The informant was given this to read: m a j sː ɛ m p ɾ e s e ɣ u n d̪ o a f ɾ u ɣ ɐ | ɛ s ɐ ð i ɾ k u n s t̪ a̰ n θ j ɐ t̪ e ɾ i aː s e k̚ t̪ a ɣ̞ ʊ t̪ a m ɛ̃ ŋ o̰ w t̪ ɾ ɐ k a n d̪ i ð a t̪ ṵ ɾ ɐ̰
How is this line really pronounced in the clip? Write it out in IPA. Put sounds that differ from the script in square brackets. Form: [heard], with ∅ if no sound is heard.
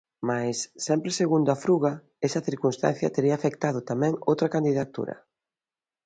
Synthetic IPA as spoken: m a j sː ɛ m p ɾ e s e ɣ u n d̪ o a f ɾ u ɣ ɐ | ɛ s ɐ [θ] i ɾ k u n s t̪ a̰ n θ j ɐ t̪ e ɾ i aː [f] e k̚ t̪ a [ð̞] ʊ t̪ a m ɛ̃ ŋ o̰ w t̪ ɾ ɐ k a n d̪ i ð a t̪ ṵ ɾ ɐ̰